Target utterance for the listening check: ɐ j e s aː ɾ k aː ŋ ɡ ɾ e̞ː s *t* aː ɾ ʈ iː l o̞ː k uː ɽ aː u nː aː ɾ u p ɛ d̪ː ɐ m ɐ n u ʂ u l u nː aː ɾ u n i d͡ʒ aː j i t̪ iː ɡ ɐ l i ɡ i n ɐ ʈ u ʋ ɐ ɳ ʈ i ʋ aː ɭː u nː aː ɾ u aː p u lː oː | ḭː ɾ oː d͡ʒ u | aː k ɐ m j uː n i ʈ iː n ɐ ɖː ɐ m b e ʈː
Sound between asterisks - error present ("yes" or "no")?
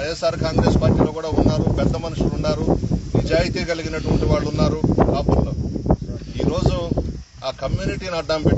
yes